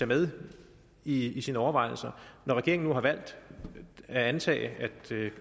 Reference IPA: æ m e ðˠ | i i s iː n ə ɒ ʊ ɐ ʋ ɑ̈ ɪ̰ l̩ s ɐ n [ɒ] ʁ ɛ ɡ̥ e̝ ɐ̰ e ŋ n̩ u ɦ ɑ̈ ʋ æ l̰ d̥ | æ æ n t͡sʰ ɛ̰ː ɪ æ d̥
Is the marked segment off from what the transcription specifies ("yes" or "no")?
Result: no